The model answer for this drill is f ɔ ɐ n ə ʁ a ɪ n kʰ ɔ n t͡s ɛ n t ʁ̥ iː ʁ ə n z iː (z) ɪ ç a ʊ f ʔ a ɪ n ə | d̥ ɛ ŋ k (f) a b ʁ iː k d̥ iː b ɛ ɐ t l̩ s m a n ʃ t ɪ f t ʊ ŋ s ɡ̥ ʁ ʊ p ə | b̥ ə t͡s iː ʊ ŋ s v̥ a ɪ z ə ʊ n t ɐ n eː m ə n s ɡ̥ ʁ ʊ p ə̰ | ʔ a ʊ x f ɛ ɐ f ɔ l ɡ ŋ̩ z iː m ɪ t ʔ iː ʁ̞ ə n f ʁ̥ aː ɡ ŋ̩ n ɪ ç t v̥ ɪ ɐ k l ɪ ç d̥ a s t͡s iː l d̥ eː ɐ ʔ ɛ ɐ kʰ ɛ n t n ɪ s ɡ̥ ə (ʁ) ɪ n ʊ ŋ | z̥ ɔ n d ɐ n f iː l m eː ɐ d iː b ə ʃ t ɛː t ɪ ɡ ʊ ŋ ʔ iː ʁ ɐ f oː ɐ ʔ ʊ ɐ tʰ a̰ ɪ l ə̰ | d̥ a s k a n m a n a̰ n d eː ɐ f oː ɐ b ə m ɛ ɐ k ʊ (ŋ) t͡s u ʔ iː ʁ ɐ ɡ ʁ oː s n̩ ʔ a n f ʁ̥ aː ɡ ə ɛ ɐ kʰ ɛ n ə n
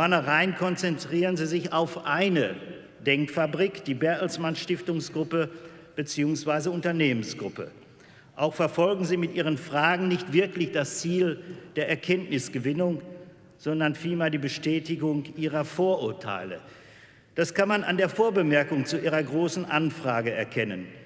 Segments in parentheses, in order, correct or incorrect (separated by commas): correct, correct, incorrect, correct